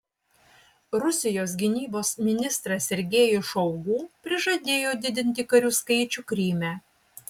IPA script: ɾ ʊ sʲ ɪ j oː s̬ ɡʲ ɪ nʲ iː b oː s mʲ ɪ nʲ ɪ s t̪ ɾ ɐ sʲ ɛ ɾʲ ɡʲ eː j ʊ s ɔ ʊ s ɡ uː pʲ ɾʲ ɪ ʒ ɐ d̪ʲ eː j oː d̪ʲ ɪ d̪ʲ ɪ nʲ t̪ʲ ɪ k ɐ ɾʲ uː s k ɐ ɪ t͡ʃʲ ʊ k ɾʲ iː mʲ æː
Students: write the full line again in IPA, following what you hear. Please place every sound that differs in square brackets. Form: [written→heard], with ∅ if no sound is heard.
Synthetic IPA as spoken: ɾ ʊ sʲ ɪ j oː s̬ ɡʲ ɪ nʲ iː b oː s mʲ ɪ nʲ ɪ s t̪ ɾ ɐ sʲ ɛ ɾʲ ɡʲ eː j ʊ [s→ʃ] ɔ ʊ [s→∅] ɡ uː pʲ ɾʲ ɪ ʒ ɐ d̪ʲ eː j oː d̪ʲ ɪ d̪ʲ ɪ nʲ t̪ʲ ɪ k ɐ ɾʲ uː s k ɐ ɪ t͡ʃʲ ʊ k ɾʲ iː mʲ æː